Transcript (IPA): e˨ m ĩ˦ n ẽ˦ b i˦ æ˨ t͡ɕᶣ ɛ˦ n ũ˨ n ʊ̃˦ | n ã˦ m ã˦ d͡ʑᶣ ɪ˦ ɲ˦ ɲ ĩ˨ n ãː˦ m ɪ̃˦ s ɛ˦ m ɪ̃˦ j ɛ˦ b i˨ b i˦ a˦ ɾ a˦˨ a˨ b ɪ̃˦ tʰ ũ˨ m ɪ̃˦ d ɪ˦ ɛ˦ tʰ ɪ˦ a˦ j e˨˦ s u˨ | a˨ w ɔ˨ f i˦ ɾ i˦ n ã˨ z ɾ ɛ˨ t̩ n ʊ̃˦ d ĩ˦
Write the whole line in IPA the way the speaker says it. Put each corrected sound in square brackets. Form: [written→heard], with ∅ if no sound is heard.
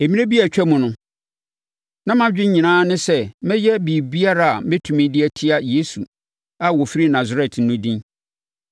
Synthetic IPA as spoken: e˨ m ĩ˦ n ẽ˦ b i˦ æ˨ t͡ɕᶣ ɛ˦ [n→m] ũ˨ n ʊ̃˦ | n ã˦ m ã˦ d͡ʑᶣ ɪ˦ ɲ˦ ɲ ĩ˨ n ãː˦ [m→n] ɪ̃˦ s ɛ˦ m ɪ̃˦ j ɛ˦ b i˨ b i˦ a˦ ɾ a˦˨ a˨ [b→m] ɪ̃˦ tʰ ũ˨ m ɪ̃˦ d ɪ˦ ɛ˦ tʰ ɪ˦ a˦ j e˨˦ s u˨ | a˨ w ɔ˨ f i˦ ɾ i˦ n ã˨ z ɾ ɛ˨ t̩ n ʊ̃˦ d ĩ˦

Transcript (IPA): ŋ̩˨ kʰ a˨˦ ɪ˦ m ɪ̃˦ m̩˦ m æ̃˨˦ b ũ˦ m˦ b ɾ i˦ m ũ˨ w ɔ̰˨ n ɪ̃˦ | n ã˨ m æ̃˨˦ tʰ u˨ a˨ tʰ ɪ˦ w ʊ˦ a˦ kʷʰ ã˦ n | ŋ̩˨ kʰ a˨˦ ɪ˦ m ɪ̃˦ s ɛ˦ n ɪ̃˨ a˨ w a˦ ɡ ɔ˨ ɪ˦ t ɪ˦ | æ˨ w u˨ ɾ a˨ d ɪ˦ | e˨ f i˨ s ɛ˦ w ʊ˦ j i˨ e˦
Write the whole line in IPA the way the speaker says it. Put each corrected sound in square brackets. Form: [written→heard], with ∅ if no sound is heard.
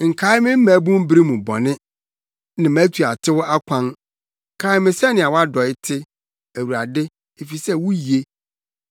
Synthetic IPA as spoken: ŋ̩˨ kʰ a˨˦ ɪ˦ m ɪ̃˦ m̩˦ m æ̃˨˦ b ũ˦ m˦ b ɾ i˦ m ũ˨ [w→b] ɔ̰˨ n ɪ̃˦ | n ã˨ m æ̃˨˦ tʰ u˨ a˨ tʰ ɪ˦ w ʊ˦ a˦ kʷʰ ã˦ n | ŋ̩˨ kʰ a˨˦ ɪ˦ m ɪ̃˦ s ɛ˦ n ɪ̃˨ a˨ w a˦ [ɡ→d] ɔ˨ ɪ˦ [t→tʰ] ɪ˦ | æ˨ w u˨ ɾ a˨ d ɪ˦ | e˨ f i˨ s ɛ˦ w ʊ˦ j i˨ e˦

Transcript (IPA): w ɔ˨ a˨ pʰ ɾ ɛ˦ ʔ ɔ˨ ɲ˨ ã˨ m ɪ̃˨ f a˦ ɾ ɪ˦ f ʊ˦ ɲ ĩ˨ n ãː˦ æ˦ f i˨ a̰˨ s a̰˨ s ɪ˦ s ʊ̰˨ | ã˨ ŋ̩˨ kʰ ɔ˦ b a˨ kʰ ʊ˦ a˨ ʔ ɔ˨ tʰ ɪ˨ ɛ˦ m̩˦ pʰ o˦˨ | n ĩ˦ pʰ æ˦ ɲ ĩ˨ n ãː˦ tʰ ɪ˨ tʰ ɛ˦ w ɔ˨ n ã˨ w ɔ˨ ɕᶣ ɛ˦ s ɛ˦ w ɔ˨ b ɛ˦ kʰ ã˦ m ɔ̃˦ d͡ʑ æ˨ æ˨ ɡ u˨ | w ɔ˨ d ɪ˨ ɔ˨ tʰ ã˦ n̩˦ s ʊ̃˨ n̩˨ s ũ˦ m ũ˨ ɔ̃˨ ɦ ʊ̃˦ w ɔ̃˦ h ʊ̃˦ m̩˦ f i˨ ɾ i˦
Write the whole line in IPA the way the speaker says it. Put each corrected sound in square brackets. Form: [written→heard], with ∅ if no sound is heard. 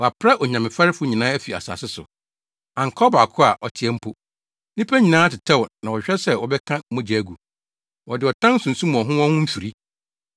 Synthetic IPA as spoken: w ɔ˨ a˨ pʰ ɾ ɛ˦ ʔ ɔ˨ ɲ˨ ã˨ m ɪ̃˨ f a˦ ɾ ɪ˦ f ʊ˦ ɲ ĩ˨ n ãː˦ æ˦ f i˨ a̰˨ s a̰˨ s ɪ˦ s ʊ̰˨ | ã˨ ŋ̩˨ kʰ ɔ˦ b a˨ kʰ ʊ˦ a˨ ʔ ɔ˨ tʰ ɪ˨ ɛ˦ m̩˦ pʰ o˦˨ | n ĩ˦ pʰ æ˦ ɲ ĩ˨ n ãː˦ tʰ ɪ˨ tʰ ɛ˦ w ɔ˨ n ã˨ w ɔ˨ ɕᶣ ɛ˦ s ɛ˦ w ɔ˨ b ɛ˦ kʰ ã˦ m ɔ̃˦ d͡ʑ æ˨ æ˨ ɡ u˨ | w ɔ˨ d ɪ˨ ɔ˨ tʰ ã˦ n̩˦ s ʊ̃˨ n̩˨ s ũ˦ m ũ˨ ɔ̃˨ ɦ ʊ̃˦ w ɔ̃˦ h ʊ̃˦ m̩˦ f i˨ ɾ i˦

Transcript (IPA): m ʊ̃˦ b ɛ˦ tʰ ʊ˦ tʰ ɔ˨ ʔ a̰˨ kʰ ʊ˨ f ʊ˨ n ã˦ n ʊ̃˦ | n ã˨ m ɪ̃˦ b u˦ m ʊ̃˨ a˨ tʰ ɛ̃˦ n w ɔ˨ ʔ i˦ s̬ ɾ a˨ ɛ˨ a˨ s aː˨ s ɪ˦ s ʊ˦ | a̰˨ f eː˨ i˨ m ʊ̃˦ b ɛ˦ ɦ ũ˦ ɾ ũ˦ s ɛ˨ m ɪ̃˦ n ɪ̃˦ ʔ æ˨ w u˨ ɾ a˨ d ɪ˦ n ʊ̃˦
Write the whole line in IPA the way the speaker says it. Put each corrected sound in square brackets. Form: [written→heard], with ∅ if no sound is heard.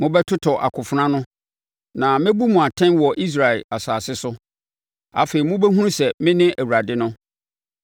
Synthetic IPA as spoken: m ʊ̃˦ b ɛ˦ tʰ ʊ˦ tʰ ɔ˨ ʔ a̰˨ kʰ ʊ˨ f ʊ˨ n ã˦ n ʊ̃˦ | n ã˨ m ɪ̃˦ b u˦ m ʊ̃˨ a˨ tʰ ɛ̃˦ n w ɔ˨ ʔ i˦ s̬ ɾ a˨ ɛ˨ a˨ s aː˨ s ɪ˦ s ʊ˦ | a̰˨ f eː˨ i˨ m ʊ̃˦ b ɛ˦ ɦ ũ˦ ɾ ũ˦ s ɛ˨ m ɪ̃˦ n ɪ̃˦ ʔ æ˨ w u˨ ɾ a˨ d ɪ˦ n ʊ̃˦

